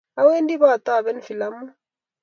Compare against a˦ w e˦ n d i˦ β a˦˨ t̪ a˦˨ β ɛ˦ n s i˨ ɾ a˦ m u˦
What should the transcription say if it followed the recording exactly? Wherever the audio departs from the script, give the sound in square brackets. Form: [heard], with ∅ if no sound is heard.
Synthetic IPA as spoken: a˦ w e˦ n d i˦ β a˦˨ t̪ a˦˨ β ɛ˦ n [f] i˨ [l] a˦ m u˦